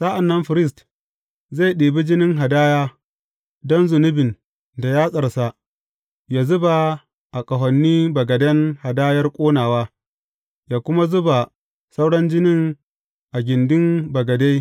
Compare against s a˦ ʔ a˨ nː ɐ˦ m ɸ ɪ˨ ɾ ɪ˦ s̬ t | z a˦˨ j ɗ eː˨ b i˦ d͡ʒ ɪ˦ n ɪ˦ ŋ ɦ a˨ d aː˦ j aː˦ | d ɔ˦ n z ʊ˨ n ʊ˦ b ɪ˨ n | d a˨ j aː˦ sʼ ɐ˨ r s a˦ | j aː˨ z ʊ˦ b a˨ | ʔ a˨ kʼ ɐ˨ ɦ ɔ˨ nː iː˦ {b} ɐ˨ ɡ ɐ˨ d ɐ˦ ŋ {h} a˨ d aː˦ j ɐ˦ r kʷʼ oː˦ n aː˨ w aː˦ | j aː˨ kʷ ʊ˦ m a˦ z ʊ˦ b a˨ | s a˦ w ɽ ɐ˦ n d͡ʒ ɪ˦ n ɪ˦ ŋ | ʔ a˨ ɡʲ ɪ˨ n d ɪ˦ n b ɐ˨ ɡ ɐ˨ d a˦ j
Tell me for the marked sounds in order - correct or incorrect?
correct, correct

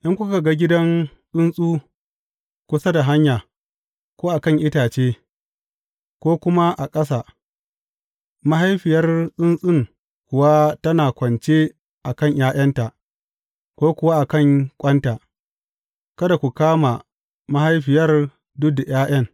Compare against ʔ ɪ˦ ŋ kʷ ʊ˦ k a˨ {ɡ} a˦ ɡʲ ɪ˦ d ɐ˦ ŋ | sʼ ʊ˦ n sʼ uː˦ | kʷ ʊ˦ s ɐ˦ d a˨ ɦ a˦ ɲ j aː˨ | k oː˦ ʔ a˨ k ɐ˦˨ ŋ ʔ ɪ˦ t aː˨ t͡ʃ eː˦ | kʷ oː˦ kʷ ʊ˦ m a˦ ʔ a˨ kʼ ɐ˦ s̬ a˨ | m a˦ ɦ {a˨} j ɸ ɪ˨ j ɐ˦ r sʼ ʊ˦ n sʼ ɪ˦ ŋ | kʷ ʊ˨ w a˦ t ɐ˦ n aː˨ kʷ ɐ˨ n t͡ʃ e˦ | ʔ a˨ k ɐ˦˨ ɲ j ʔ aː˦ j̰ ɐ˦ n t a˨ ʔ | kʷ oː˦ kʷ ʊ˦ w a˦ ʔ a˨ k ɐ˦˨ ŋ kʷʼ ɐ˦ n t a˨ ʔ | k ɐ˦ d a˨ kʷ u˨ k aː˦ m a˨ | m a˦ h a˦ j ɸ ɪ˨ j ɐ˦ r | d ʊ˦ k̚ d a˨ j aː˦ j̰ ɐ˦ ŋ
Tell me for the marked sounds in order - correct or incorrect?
correct, incorrect: a˦

